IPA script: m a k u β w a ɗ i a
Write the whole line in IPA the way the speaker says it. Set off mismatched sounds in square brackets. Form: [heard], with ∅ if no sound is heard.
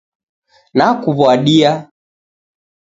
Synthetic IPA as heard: [n] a k u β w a ɗ i a